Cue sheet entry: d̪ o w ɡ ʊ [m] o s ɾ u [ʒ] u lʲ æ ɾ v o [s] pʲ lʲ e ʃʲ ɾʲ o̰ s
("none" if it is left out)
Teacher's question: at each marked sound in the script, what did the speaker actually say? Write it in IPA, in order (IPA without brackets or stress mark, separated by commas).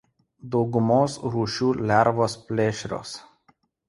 m, ʃ, s